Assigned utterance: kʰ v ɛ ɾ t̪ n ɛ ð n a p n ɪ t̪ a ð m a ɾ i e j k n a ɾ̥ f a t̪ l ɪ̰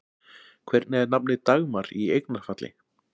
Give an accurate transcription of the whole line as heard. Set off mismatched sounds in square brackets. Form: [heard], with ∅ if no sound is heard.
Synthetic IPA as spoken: kʰ v ɛ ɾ t̪ n ɛ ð n a p n ɪ t̪ a [ɣ] m a ɾ i e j k n a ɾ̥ f a t̪ l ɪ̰